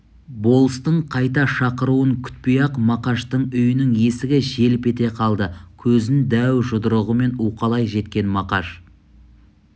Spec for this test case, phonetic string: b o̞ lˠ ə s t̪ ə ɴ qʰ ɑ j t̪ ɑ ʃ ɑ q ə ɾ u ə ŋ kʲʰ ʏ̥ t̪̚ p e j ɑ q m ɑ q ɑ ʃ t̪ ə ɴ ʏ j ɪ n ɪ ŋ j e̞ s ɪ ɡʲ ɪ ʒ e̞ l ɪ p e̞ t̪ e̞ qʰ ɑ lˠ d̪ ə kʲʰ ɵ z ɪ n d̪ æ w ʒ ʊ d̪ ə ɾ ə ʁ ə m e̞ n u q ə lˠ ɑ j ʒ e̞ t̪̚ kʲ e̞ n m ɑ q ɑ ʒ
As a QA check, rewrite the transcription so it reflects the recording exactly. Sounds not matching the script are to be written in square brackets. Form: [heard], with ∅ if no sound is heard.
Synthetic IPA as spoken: b o̞ lˠ ə s t̪ ə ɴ qʰ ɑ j t̪ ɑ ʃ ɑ q ə ɾ u ə ŋ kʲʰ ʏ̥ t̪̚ p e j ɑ q m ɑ q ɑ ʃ t̪ ə ɴ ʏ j ɪ n ɪ ŋ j e̞ s ɪ ɡʲ ɪ ʒ e̞ l ɪ p e̞ t̪ e̞ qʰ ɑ lˠ d̪ ə kʲʰ ɵ z ɪ n d̪ æ w ʒ ʊ d̪ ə ɾ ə ʁ ə m e̞ n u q [ɑ] lˠ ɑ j ʒ e̞ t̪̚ kʲ e̞ n m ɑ q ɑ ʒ

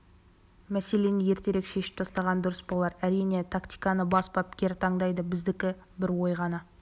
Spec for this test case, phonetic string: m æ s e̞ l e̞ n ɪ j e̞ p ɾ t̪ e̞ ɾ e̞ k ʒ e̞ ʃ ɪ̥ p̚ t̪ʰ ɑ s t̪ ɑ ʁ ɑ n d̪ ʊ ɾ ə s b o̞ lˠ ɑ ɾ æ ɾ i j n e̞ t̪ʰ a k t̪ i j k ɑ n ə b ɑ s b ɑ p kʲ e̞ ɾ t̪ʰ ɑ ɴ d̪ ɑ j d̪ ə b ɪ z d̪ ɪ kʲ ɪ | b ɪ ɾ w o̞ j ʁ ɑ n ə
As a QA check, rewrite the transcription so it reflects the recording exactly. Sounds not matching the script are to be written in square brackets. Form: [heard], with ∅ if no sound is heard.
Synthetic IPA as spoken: m æ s e̞ l e̞ n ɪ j e̞ [∅] ɾ t̪ e̞ ɾ e̞ k [ʃ] e̞ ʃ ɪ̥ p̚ t̪ʰ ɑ s t̪ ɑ ʁ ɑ n d̪ ʊ ɾ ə s b o̞ lˠ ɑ ɾ æ ɾ i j n e̞ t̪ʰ a k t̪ i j k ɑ n ə b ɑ s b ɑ p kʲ e̞ ɾ t̪ʰ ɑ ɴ d̪ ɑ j d̪ ə b ɪ z d̪ ɪ kʲ ɪ | b ɪ ɾ w o̞ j ʁ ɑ n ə

